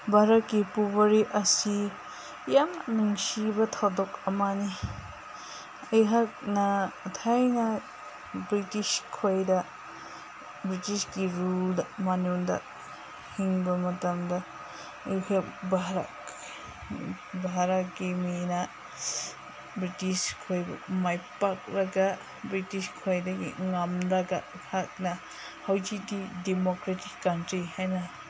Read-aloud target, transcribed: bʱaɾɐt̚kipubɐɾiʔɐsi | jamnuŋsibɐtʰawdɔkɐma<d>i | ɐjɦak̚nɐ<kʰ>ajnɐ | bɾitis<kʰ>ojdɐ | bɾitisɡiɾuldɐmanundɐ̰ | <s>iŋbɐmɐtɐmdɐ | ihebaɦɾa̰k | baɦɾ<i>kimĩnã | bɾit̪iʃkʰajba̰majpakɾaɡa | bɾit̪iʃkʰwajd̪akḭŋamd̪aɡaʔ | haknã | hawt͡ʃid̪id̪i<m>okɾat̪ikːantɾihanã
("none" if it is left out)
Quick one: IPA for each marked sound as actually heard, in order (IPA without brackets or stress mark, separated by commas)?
n, tʰ, kʰ, h, a, m